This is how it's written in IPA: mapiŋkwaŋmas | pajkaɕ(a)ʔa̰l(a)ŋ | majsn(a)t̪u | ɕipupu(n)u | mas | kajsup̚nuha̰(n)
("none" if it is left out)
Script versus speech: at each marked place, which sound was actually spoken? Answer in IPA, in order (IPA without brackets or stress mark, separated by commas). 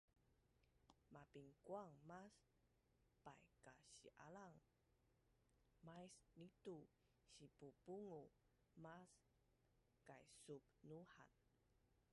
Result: i, a, i, ŋ, n